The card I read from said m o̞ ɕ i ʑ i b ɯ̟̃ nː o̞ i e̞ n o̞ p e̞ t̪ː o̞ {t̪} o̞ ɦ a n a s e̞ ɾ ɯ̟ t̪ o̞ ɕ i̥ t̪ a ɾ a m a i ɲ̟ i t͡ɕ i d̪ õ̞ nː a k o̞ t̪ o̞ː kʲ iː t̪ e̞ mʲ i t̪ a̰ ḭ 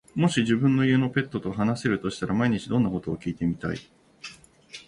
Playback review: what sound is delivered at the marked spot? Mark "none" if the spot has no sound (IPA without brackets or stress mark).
t̪